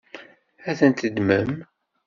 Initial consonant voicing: voiceless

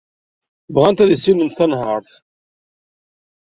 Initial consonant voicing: voiced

